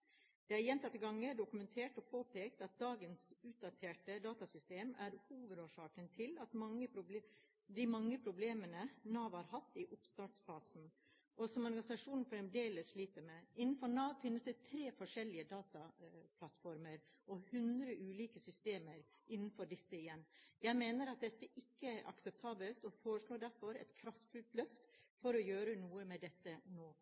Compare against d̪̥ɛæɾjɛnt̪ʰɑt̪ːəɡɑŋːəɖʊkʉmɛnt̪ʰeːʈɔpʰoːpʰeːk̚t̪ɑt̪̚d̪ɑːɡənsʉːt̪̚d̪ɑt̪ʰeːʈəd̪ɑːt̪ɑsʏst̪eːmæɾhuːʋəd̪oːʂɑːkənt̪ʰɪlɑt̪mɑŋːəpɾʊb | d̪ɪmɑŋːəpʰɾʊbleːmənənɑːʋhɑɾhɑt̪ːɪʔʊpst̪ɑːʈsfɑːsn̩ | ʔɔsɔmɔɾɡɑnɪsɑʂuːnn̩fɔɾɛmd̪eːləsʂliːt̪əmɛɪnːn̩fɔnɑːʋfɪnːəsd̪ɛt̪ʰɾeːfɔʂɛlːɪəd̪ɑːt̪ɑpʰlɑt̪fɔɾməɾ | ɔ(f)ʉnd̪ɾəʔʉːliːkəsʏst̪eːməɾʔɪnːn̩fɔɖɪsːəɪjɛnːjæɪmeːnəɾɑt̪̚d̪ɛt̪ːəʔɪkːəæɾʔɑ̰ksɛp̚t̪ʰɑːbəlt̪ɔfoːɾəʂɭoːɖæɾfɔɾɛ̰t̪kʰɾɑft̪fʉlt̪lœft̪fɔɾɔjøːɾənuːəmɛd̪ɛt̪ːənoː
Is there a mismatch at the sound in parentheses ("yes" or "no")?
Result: yes